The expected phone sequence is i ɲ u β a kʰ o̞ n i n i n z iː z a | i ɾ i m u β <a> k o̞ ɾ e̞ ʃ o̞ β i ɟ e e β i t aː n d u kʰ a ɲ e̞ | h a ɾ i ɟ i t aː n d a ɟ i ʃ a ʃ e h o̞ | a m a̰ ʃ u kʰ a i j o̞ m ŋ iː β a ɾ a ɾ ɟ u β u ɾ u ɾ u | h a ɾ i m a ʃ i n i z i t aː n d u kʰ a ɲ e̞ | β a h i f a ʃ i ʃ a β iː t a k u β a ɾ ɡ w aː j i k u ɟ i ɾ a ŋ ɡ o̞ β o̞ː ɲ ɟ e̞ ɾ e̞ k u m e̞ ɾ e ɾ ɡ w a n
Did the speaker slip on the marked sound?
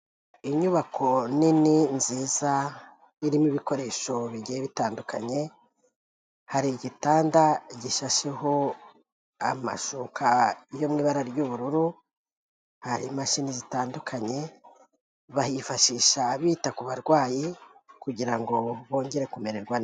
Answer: yes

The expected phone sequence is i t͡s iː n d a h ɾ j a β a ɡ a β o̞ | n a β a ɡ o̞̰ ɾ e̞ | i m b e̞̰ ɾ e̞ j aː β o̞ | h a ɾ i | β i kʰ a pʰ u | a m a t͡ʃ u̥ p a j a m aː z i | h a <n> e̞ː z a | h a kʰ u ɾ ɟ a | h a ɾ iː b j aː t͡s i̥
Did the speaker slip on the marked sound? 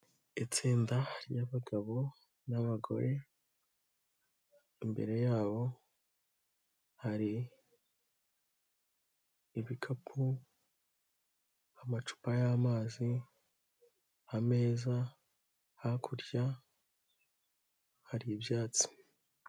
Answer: yes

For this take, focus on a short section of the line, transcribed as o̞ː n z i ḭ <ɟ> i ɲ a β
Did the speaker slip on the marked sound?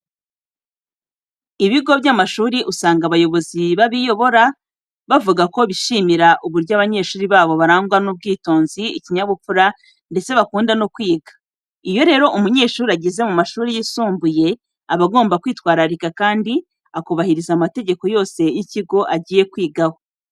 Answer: yes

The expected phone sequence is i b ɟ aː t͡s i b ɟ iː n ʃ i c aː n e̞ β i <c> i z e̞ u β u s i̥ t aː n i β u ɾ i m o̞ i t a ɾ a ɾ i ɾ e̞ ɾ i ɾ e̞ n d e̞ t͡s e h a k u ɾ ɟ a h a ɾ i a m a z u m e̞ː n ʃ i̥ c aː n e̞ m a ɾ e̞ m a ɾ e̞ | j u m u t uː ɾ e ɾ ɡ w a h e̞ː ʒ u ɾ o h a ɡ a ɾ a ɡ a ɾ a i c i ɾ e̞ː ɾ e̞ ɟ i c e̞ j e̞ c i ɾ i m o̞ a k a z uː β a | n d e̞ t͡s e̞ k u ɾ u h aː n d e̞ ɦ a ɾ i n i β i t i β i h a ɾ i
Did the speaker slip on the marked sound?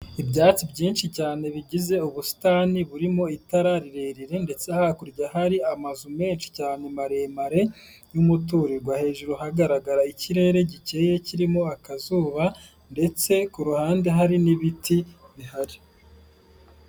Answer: yes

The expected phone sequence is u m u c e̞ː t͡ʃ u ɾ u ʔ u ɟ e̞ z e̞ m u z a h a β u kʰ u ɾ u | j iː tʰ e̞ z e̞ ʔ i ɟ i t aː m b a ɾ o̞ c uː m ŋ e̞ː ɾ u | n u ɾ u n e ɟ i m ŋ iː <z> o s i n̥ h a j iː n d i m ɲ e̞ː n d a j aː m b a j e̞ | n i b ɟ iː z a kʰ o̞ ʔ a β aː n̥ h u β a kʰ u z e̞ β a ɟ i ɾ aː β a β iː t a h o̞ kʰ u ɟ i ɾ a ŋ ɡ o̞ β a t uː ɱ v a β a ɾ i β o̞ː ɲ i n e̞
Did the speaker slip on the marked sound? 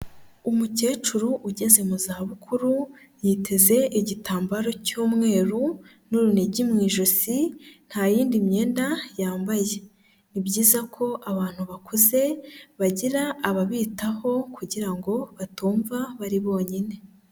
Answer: yes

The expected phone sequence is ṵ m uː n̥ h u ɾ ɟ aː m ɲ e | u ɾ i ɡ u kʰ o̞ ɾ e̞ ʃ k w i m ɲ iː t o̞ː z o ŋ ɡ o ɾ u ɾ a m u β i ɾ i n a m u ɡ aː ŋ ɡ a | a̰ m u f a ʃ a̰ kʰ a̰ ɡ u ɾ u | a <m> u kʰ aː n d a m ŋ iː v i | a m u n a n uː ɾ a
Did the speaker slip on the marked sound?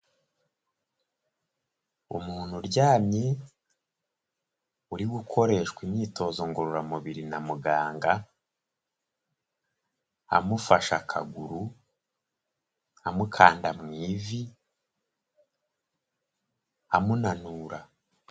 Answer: no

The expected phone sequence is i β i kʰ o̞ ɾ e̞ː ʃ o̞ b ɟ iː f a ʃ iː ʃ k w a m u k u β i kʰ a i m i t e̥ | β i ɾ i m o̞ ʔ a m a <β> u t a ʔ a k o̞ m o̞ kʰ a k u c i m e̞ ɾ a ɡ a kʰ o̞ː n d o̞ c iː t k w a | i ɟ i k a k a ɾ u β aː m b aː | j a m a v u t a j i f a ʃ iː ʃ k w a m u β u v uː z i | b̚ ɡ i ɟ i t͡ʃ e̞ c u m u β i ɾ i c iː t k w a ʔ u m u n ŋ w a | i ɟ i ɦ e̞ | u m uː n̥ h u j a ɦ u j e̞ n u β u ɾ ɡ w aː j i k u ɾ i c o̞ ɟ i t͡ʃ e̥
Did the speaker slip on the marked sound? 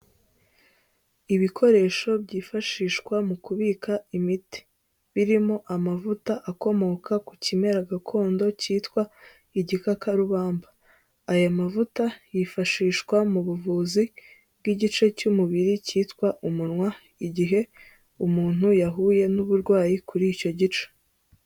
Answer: yes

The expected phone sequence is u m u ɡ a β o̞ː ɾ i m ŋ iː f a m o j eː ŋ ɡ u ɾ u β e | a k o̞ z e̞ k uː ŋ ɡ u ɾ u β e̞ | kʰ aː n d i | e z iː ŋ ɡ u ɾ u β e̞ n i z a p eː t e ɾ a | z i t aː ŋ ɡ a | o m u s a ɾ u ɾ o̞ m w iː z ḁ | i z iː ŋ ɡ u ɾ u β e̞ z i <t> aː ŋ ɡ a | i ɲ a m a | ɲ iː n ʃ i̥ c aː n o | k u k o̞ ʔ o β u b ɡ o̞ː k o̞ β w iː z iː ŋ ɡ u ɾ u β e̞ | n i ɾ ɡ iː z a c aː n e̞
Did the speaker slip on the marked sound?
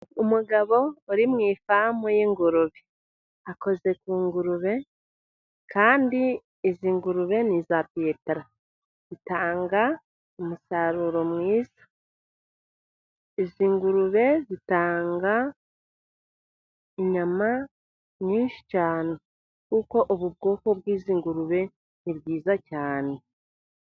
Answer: no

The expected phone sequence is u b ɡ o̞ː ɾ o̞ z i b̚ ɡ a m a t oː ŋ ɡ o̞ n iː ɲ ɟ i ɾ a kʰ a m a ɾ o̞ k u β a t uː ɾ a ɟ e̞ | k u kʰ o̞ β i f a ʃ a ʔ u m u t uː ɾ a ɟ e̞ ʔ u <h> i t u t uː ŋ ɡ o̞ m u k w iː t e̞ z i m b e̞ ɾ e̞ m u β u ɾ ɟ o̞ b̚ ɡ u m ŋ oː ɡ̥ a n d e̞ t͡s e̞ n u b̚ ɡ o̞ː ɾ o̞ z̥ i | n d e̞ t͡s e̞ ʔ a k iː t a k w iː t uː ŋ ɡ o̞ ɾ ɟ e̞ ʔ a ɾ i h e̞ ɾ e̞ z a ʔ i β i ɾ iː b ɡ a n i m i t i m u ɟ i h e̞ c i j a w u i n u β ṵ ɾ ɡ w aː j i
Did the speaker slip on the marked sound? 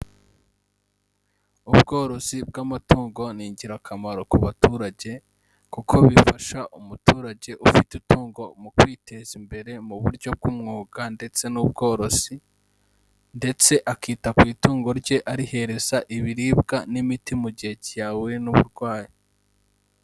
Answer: yes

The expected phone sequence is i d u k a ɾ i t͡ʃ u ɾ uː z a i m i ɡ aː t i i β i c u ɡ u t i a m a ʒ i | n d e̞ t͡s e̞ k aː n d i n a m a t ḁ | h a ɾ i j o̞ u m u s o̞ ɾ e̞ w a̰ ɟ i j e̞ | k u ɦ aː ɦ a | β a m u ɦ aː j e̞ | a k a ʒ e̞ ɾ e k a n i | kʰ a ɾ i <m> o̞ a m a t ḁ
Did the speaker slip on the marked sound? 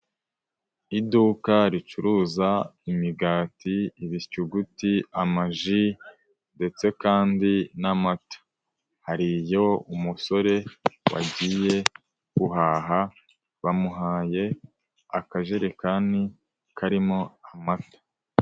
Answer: no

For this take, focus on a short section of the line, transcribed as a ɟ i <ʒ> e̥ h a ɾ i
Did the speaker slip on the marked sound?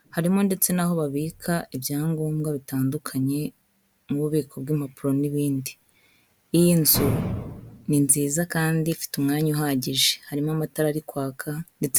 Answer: no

